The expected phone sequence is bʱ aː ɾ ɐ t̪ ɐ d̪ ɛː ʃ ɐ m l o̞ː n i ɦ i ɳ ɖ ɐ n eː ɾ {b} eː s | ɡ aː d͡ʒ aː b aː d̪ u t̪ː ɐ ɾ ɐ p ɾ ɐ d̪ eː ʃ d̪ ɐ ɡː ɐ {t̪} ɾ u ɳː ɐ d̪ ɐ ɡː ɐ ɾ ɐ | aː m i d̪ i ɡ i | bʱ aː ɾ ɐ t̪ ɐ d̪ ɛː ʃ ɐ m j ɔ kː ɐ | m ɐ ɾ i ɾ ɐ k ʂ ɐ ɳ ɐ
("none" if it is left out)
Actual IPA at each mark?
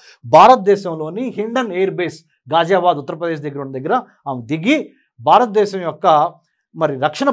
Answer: b, none

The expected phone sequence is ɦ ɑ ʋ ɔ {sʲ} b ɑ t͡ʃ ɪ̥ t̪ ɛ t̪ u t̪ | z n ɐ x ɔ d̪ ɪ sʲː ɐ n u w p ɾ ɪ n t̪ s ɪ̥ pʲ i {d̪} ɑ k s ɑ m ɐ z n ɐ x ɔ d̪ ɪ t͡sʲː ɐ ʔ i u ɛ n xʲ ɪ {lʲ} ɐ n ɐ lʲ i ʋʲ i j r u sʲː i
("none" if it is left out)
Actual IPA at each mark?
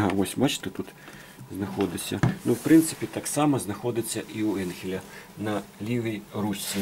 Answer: sʲ, t̪, lʲ

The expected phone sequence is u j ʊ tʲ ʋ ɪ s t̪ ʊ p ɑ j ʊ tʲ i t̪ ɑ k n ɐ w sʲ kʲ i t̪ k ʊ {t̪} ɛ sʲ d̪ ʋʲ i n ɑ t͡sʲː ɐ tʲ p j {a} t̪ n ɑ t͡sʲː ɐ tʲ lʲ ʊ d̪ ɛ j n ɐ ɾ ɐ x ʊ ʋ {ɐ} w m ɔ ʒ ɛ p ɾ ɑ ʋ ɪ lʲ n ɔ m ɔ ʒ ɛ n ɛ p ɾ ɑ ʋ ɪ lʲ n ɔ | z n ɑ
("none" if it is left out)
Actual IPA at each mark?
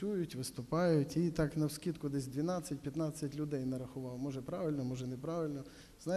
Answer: d̪, ɐ, ɑ

